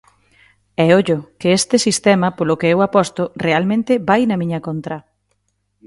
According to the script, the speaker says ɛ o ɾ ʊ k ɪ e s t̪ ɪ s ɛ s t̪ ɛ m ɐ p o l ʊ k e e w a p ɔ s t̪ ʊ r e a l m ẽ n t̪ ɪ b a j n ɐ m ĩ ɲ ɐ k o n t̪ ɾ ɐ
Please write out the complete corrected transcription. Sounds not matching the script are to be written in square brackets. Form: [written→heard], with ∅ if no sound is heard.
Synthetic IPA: ɛ o [ɾ→ʎ] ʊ k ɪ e s t̪ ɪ s [ɛ→i] s t̪ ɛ m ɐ p o l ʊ k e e w a p ɔ s t̪ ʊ r e a l m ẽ n t̪ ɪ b a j n ɐ m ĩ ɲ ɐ k o n t̪ ɾ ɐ